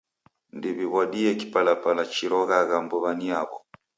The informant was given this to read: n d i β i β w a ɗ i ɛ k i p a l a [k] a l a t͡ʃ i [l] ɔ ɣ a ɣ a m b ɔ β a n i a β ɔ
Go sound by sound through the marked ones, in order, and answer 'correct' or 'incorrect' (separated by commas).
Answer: incorrect, incorrect